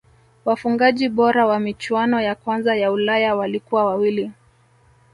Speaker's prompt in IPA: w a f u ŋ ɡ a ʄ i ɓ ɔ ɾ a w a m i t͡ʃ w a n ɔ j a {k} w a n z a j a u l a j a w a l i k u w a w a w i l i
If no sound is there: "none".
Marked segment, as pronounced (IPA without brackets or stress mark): k